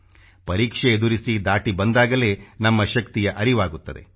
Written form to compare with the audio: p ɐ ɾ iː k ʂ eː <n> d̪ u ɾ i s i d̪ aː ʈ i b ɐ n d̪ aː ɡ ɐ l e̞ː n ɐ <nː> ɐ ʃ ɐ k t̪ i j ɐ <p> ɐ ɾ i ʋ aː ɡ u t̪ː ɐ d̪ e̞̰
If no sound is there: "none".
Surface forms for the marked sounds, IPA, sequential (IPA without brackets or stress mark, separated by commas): none, mː, ʔ